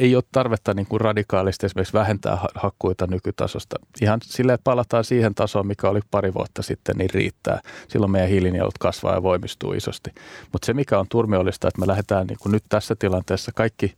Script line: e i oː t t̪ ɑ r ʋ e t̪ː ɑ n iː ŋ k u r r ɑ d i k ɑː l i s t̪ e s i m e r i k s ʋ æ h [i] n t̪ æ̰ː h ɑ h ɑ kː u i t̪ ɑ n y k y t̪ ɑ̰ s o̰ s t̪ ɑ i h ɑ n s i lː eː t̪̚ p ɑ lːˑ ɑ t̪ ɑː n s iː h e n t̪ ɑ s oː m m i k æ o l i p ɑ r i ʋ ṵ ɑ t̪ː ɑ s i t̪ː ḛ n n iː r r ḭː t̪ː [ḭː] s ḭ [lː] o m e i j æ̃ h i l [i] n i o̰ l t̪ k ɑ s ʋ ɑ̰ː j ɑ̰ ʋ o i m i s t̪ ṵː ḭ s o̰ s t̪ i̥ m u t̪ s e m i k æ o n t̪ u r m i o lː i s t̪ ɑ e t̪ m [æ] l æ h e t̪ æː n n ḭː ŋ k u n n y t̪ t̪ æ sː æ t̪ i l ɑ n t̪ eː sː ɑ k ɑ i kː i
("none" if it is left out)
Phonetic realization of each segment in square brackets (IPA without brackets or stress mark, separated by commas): e, æ̰ː, lː, i, e